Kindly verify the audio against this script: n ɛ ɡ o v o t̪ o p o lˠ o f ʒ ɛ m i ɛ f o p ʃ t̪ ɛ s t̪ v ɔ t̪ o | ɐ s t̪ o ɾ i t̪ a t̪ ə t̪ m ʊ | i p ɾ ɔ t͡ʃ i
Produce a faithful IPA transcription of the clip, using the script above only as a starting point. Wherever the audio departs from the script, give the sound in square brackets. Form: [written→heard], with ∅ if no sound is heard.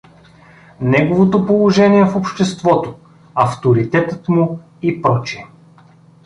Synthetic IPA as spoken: n ɛ ɡ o v o t̪ o p o lˠ o [f→∅] ʒ ɛ [m→n] i ɛ f o p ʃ t̪ ɛ s t̪ v ɔ t̪ o | ɐ [s→f] t̪ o ɾ i t̪ [a→ɛ] t̪ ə t̪ m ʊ | i p ɾ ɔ t͡ʃ i